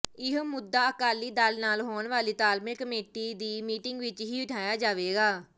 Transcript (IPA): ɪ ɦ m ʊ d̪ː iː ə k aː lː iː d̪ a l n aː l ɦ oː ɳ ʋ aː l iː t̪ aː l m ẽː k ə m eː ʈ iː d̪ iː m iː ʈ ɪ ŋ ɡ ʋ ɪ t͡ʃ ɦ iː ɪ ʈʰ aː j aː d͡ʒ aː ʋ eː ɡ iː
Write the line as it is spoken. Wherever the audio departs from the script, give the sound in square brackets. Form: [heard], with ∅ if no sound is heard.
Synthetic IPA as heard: ɪ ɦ m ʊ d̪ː [aː] ə k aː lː iː d̪ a l n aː l ɦ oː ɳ ʋ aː l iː t̪ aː l m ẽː k ə m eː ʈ iː d̪ iː m iː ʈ ɪ ŋ ɡ ʋ ɪ t͡ʃ ɦ iː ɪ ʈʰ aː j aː d͡ʒ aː ʋ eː ɡ [aː]